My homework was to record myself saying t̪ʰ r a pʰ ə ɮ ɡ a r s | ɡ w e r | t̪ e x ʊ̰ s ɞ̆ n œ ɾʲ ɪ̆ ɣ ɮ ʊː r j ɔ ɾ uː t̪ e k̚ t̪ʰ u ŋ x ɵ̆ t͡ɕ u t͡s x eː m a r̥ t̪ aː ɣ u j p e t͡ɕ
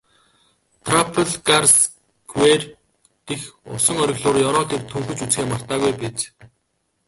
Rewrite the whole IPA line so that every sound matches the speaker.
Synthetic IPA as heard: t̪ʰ r a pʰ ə ɮ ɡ a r s | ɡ w e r | t̪ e x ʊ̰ s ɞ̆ ŋ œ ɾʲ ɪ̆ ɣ ɮ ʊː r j ɔ ɾ ɔː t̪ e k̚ t̪ʰ u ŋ x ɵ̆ t͡ɕ u t͡s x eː m a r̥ t̪ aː ɣ u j p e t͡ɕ